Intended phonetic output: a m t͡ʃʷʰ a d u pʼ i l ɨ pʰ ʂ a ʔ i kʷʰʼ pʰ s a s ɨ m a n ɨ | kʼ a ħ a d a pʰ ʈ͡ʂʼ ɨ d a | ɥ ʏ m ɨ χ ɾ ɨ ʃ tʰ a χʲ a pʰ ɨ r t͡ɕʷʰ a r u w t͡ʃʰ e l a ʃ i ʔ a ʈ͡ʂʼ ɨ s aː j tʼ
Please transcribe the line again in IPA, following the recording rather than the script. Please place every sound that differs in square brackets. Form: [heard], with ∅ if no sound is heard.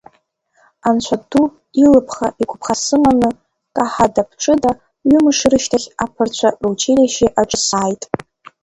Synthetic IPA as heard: a [n] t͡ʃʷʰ a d u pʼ i l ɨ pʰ [χ] a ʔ i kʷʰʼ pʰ [χ] a s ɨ m a n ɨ | kʼ a ħ a d a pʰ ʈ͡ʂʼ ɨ d a | ɥ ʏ m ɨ [ʂ] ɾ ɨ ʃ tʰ a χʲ a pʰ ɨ r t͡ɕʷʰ a r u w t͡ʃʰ e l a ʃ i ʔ a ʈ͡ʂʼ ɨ s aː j tʼ